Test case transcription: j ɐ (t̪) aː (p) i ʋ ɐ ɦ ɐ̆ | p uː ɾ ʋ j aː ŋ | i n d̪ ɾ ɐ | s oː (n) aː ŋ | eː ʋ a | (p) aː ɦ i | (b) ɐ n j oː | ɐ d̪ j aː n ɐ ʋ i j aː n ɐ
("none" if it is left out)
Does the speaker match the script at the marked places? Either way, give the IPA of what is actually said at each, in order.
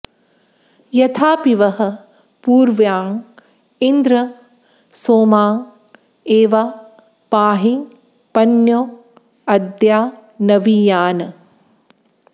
t̪ʰ, p, m, p, p

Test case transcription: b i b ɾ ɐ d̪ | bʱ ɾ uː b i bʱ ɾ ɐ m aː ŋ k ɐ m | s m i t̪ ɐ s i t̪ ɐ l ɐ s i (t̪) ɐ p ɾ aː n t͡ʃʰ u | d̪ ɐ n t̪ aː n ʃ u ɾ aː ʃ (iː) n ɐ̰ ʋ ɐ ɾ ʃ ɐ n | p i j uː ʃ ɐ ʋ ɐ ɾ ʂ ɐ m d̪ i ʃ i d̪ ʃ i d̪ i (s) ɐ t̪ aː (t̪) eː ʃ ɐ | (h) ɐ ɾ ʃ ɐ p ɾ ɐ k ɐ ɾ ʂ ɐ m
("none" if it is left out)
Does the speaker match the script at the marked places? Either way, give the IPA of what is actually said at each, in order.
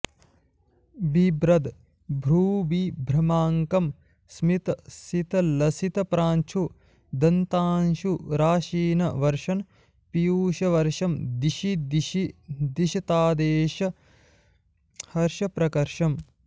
t̪, iː, ʃ, d̪, h

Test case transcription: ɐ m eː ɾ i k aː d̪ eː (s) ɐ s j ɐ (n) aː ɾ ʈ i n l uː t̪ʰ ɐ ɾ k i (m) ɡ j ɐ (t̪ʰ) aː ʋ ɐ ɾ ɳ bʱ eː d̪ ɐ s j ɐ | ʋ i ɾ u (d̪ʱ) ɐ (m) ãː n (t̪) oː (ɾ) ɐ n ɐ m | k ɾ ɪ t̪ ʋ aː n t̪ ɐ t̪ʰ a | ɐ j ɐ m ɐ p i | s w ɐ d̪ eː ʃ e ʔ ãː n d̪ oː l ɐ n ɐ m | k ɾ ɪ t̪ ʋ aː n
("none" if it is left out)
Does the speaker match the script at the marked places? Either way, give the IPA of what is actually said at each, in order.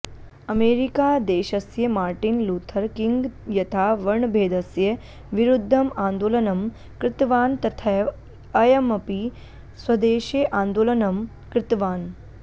ʃ, m, ŋ, t̪ʰ, d̪ʱː, m, d̪, l

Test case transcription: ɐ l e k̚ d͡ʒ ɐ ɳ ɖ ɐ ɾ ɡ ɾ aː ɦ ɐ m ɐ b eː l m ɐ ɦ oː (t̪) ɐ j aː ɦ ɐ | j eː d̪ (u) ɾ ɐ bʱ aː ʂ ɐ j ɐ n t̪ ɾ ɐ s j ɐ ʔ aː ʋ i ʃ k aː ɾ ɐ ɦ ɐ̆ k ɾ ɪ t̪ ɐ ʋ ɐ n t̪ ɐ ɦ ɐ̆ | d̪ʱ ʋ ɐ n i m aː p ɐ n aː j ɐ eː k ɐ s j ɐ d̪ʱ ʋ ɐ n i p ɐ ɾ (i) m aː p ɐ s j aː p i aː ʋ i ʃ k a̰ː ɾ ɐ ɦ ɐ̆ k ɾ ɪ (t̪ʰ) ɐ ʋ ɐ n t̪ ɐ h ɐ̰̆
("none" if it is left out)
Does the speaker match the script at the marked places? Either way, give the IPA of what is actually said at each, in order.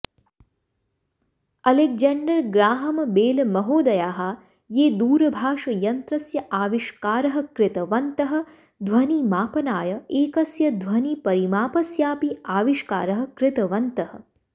d̪, uː, i, t̪

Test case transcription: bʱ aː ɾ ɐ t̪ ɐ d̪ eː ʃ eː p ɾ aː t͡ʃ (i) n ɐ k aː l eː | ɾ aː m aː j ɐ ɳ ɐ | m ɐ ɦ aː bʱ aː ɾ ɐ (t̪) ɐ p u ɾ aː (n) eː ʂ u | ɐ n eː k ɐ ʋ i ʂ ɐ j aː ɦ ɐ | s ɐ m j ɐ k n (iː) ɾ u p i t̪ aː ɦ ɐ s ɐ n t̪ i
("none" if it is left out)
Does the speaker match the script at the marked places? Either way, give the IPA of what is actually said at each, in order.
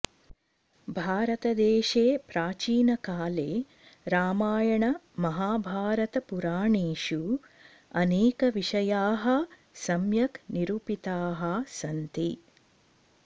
iː, t̪, ɳ, i

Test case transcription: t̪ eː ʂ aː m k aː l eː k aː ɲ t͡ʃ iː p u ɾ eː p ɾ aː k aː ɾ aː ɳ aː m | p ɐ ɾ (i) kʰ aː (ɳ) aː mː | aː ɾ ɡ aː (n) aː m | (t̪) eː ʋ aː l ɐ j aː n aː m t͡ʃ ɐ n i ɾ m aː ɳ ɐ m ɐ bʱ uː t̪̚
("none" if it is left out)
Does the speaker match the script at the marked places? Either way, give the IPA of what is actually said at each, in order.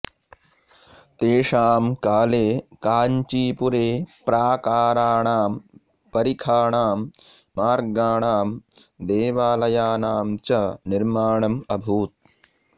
i, ɳ, ɳ, d̪

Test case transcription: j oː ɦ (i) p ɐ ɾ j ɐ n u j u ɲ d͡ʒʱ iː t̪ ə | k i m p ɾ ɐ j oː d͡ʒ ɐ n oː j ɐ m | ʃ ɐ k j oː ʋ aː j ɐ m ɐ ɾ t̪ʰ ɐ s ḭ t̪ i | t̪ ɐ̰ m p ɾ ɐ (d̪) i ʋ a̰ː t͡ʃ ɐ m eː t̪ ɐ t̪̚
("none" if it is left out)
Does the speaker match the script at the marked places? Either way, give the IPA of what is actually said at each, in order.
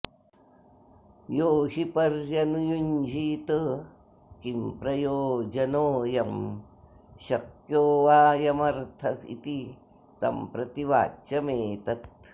i, t̪

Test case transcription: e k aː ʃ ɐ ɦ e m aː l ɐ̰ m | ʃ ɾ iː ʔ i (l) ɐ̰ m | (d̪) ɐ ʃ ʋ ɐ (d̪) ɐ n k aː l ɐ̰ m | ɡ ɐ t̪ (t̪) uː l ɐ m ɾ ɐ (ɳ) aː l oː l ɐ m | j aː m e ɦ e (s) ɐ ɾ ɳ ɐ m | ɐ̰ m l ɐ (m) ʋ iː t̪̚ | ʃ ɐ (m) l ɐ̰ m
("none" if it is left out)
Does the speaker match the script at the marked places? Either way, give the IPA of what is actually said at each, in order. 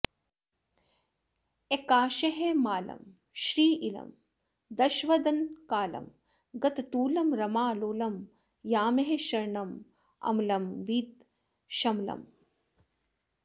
l, d̪, d̪, t̪, m, ʃ, m, m

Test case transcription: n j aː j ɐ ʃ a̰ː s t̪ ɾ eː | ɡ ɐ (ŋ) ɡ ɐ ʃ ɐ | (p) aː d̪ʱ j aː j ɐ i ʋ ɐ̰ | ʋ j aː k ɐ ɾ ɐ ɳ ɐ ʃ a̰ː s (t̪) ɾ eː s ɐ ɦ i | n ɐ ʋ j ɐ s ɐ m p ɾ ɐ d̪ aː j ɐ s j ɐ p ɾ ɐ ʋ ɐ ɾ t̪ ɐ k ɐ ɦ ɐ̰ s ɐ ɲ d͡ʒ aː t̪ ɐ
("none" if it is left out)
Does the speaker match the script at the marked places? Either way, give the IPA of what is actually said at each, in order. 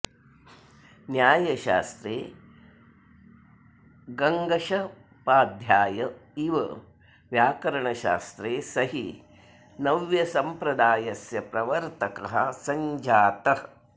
ŋ, p, t̪

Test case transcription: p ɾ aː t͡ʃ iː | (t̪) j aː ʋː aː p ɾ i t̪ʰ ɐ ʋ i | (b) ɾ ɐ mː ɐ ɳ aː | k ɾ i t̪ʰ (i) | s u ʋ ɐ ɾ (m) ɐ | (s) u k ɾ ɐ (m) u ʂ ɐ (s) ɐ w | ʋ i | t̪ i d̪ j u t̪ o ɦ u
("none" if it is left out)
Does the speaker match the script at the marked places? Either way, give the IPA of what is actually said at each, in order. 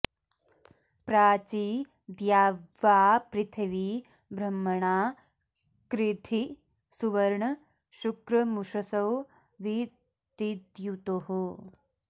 d̪, b, i, ɳ, ʃ, m, s

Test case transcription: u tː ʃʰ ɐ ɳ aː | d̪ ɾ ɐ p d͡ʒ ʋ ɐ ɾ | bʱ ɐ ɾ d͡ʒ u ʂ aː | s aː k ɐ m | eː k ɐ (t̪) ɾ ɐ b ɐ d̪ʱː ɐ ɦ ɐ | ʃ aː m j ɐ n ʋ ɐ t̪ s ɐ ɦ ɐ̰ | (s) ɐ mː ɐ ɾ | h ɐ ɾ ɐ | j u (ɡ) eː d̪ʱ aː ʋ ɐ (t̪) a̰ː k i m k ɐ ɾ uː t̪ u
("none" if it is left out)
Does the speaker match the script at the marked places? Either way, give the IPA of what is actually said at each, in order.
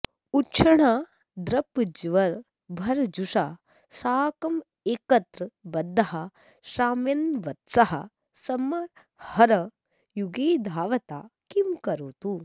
t̪, s, ɡ, t̪

